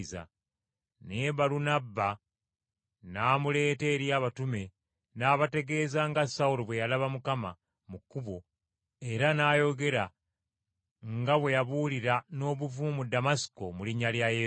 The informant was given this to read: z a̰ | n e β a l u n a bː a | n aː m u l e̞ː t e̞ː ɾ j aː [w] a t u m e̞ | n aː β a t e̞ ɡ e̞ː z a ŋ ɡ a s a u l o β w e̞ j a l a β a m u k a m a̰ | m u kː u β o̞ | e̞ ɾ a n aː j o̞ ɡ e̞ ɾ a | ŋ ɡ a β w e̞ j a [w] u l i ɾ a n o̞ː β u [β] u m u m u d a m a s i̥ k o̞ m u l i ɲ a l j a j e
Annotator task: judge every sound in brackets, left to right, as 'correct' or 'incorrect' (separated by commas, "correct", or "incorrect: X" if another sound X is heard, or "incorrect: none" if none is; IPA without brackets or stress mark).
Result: incorrect: β, incorrect: β, incorrect: v